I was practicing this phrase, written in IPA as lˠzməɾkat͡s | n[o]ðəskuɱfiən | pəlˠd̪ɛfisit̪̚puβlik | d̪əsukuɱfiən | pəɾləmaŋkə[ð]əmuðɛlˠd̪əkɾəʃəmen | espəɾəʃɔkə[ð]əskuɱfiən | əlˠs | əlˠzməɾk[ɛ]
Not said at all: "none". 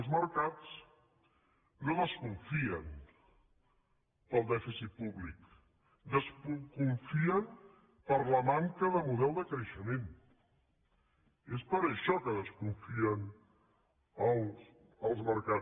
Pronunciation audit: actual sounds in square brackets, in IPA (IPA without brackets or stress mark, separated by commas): o, ð, ð, a